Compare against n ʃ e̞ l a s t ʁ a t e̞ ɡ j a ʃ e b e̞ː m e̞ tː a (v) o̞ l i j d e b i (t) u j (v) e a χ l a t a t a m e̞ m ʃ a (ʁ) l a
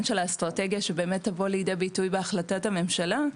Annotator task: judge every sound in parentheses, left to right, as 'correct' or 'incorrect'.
correct, correct, incorrect: b, incorrect: none

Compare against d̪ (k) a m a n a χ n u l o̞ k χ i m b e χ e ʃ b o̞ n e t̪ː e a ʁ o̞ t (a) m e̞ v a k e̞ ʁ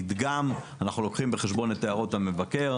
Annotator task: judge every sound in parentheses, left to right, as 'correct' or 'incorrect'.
incorrect: ɡ, correct

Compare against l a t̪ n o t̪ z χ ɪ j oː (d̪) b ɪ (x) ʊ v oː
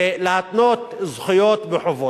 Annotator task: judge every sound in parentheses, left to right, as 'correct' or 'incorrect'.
incorrect: t̪, incorrect: ħ

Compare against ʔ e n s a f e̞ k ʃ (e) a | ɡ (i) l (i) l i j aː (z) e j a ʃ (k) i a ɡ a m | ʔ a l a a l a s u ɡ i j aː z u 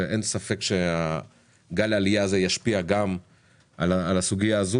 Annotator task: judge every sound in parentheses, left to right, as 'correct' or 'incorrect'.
correct, incorrect: a, incorrect: a, correct, incorrect: p

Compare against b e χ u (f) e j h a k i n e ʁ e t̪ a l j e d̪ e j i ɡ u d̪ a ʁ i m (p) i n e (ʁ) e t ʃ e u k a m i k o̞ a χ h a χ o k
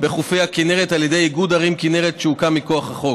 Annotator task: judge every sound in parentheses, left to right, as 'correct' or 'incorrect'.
correct, incorrect: k, correct

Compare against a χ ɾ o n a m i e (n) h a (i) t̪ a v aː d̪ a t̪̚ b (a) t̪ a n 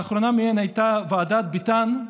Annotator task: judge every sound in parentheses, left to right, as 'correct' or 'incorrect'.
correct, incorrect: j, incorrect: i

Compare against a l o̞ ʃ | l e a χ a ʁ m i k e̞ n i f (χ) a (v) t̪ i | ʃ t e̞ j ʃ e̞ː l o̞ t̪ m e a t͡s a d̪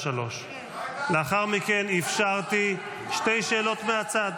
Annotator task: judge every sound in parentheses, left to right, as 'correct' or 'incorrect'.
incorrect: ʃ, incorrect: ʁ

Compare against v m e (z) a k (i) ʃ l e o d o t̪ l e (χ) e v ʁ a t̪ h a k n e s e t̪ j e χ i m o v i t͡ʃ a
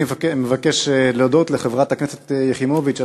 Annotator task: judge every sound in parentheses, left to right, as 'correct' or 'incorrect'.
incorrect: v, incorrect: e, correct

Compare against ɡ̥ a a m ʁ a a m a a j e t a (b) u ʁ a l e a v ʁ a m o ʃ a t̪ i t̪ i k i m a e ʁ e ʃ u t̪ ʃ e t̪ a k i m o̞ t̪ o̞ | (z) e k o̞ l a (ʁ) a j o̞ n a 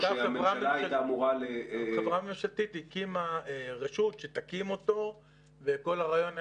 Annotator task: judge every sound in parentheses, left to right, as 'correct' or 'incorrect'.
incorrect: m, incorrect: v, correct

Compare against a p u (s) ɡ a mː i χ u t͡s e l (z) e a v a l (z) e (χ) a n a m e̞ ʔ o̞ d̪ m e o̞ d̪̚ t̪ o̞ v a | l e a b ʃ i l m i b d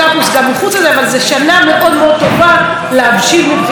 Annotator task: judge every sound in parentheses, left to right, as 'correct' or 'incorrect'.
correct, correct, correct, incorrect: ʃ

